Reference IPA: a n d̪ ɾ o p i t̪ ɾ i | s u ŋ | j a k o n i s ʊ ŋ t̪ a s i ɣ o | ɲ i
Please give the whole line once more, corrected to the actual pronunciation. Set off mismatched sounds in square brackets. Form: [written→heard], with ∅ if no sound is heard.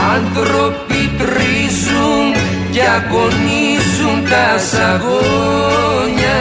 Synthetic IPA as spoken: a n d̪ ɾ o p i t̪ ɾ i | s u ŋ | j a k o n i s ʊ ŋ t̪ a s [i→a] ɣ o | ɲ [i→a]